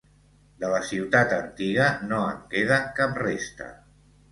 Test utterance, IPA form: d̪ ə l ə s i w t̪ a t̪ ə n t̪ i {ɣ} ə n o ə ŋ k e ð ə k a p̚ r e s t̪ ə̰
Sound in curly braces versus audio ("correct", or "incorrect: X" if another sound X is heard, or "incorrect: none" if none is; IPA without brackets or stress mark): correct